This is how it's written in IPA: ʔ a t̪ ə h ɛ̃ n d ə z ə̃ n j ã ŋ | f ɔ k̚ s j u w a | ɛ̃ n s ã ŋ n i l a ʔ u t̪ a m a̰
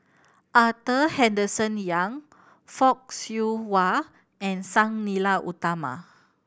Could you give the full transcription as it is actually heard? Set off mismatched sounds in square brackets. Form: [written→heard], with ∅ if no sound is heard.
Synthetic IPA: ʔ a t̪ ə h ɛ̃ n d ə [z→s] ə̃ n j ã ŋ | f ɔ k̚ s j u w a | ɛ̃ n s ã ŋ n i l a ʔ u t̪ a m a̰